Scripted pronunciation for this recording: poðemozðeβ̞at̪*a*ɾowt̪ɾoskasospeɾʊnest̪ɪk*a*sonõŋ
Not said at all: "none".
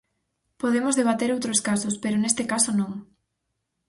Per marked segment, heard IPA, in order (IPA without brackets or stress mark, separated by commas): e, a